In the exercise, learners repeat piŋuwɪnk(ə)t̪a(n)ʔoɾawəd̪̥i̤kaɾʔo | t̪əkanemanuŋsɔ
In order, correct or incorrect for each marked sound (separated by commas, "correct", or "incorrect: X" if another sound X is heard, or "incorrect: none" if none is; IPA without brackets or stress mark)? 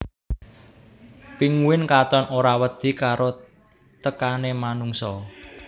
incorrect: a, correct